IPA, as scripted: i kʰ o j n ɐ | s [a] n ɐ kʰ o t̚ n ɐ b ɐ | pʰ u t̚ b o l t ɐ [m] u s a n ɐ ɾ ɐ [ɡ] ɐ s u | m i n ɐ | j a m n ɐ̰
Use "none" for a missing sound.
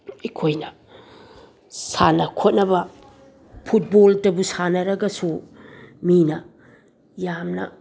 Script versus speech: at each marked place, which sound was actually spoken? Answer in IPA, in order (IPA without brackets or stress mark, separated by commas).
a, b, ɡ